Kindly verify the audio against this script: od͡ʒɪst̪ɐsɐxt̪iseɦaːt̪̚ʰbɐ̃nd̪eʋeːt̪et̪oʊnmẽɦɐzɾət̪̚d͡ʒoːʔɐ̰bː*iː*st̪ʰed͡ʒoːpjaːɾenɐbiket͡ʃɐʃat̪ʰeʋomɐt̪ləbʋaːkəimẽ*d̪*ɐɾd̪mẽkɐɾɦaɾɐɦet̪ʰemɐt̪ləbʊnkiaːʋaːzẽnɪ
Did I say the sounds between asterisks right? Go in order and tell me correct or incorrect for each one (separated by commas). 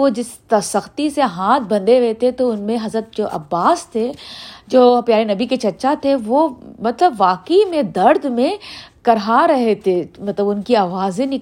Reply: incorrect, correct